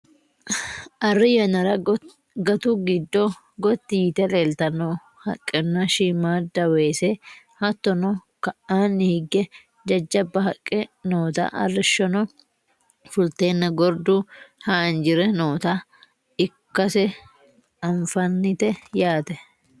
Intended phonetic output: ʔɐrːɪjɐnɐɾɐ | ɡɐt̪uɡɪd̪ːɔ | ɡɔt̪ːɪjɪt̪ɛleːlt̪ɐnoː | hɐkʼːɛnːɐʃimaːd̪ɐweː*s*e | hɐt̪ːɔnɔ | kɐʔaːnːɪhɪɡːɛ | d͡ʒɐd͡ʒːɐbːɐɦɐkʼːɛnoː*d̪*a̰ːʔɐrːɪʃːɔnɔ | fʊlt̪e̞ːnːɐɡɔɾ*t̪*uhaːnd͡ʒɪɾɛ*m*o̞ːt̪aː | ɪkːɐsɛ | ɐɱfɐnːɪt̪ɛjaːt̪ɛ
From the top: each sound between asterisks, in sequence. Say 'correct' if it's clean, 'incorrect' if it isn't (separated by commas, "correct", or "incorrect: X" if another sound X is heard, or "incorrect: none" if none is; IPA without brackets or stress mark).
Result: correct, incorrect: t̪, incorrect: d̪, incorrect: n